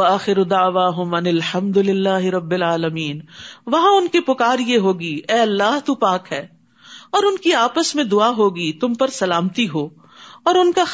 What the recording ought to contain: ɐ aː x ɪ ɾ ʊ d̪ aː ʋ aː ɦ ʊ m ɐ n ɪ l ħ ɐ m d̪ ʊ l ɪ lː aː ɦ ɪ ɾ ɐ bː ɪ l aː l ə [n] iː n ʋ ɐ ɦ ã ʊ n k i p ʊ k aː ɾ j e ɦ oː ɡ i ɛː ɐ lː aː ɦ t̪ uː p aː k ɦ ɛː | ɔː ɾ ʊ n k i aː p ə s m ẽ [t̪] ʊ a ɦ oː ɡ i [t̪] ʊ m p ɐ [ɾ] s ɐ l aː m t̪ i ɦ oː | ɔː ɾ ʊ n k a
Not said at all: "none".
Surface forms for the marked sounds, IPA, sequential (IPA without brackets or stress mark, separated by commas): m, d̪, t̪, ɾ